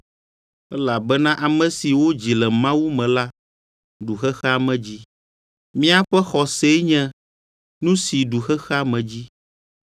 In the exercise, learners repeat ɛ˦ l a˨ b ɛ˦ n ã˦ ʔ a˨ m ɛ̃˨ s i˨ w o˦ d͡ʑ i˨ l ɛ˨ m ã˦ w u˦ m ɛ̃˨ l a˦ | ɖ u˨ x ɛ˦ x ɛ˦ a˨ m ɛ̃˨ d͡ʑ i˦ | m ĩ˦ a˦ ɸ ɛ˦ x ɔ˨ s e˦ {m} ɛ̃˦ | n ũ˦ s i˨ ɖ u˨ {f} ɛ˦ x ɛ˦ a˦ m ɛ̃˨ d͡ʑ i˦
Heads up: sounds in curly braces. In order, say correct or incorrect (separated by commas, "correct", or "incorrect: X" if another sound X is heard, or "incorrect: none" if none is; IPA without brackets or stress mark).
incorrect: ɲ, incorrect: x